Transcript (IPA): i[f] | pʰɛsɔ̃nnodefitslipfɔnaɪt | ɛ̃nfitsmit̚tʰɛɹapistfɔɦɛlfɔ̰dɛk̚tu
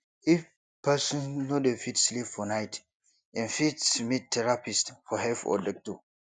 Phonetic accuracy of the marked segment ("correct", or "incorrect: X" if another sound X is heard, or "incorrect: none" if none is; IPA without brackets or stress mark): correct